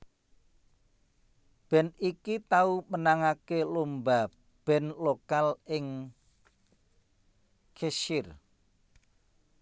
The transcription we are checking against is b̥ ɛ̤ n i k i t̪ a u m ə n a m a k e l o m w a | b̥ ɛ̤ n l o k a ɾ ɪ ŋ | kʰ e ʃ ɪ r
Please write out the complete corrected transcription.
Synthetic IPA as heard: b̥ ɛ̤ n i k i t̪ a u m ə n a ŋ a k e l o m b a | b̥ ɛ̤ n l o k a l ɪ ŋ | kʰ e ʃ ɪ r